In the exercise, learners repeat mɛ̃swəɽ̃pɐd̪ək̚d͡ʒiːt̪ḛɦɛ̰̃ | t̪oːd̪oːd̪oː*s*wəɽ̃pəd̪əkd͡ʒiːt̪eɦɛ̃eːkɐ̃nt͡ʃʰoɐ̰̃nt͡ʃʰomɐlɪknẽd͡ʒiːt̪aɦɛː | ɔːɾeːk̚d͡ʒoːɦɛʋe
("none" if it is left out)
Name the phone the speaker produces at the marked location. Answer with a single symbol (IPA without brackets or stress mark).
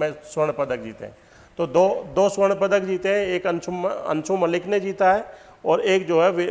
s